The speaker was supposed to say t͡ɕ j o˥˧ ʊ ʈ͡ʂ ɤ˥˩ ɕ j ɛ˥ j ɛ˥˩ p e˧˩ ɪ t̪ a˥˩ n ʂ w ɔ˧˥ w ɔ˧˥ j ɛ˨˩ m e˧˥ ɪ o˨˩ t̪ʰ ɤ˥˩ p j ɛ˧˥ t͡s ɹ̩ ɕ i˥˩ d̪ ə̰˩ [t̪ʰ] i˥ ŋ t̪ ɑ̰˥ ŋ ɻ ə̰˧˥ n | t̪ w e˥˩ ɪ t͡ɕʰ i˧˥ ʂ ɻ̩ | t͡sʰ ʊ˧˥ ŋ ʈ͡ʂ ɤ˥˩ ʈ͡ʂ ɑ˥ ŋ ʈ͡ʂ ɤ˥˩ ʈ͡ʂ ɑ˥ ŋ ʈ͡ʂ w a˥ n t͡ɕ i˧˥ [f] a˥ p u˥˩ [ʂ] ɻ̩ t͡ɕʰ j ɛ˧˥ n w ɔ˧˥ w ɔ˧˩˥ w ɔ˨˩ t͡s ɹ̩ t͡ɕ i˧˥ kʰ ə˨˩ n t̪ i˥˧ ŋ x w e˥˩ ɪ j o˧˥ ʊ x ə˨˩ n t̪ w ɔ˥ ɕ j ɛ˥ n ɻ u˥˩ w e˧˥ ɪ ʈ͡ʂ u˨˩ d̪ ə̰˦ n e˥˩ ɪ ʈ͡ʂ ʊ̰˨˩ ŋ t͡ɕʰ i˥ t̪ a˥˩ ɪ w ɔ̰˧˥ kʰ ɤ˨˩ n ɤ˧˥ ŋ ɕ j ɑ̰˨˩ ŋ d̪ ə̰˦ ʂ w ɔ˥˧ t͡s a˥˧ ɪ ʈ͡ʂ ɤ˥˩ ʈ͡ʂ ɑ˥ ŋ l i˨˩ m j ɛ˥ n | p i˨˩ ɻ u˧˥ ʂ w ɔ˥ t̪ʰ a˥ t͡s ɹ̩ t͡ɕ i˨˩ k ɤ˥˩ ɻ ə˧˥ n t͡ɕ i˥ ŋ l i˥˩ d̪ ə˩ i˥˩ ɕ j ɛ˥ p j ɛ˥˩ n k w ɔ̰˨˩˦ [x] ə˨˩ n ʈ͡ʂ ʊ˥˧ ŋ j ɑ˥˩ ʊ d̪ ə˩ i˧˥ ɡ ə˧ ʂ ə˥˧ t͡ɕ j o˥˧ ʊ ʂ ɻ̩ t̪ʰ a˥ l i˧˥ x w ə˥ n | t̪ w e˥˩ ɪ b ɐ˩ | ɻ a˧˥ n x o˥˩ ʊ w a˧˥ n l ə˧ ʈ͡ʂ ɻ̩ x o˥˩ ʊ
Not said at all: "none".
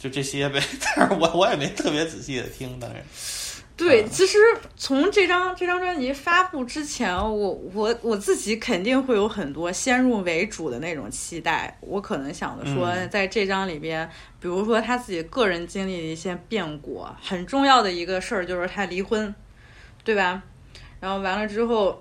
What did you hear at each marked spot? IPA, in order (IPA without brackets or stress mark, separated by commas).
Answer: t̪ʰ, f, ʈ͡ʂ, x